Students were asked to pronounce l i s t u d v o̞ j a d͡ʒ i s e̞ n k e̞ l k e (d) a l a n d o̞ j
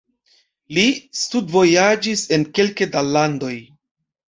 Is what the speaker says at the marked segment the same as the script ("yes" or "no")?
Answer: yes